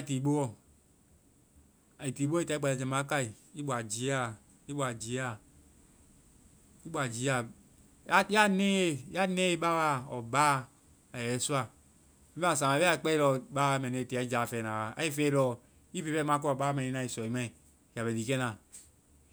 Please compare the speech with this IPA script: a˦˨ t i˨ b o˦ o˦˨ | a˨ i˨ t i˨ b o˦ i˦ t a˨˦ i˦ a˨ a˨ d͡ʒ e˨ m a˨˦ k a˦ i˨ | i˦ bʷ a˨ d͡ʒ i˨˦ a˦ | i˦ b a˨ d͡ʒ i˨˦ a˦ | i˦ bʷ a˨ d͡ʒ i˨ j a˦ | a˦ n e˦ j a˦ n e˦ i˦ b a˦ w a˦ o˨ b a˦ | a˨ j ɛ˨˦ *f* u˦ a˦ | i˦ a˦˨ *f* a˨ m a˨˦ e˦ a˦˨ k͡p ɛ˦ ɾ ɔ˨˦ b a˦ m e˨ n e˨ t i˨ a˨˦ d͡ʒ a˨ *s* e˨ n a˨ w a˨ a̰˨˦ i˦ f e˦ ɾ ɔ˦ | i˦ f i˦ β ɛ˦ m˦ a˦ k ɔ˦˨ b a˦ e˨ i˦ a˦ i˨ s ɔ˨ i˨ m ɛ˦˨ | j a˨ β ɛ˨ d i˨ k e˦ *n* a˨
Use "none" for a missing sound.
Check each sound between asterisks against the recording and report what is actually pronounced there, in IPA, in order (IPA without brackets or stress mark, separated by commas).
s, s, f, n